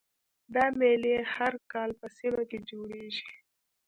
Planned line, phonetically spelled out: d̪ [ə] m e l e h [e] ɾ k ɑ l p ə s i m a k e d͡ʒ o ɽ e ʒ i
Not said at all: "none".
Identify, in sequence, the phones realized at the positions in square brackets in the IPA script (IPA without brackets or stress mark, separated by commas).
ɑ, a